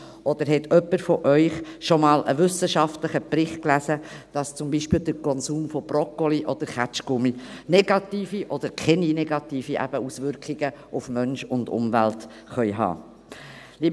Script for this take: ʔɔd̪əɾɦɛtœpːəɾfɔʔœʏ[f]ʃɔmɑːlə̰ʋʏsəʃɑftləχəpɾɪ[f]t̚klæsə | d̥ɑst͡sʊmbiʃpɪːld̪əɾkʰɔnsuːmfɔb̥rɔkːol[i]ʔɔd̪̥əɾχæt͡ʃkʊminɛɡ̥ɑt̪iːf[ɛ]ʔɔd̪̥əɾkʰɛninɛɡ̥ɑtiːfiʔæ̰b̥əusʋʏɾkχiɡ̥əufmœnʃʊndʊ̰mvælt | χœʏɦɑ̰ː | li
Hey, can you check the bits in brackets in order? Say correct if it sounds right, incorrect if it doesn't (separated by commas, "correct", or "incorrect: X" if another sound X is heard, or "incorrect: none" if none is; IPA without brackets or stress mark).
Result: incorrect: χ, incorrect: χ, correct, incorrect: i